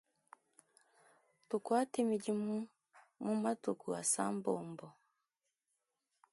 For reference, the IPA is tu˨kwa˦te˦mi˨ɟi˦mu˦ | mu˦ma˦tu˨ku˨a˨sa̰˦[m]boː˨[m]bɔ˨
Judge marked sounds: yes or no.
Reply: yes, yes

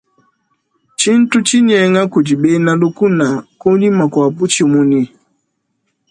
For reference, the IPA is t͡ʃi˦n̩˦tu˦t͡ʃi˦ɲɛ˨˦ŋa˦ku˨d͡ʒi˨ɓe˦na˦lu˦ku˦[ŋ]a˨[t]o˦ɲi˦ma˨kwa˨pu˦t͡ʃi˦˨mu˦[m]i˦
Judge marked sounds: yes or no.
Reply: no, no, no

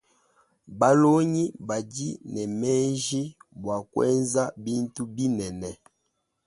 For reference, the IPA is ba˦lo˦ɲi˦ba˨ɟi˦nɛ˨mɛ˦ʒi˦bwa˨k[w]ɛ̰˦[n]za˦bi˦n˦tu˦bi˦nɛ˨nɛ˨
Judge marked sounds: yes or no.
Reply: yes, yes

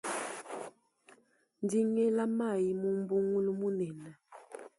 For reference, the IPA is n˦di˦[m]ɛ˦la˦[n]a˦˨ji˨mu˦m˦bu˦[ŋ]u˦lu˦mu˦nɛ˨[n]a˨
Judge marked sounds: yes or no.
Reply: no, no, yes, yes

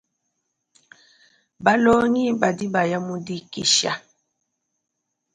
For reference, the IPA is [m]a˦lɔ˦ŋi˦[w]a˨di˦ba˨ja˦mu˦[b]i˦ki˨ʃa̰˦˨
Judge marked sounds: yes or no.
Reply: no, no, no

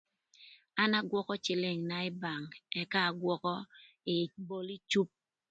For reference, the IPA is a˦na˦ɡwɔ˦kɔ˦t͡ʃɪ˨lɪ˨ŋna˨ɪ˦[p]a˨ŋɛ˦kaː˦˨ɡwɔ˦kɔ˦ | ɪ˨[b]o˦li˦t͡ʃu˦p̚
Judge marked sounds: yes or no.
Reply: no, yes

